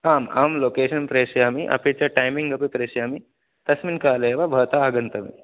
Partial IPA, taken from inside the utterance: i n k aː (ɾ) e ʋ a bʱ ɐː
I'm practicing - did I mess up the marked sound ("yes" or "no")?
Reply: yes